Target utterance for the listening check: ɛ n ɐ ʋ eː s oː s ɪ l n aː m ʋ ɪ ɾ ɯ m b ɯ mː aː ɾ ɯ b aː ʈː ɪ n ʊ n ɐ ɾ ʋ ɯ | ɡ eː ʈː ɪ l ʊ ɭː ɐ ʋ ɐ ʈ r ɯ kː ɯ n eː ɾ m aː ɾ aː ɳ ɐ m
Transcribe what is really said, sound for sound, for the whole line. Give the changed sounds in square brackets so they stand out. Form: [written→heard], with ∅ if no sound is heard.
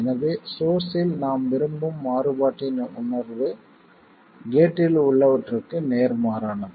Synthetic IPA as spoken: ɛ n ɐ ʋ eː s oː s ɪ l n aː m ʋ ɪ ɾ ɯ m b ɯ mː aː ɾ ɯ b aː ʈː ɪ n ʊ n ɐ ɾ ʋ ɯ | ɡ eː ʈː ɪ l ʊ ɭː ɐ ʋ ɐ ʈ r ɯ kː ɯ n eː ɾ m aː ɾ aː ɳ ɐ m